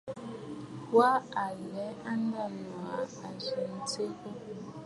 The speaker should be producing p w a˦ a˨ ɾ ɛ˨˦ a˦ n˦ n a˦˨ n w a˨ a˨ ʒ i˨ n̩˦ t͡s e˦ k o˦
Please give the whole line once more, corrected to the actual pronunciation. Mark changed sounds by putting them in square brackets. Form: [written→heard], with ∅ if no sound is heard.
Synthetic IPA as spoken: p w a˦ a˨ [ɾ→l] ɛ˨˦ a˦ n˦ [n→d] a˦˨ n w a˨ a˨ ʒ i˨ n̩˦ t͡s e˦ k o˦